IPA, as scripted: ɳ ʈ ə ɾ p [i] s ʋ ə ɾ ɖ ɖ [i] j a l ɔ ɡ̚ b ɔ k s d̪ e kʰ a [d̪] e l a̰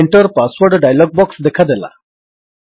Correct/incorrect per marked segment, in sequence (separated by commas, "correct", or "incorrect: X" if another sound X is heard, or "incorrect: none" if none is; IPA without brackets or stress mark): incorrect: a, incorrect: a, correct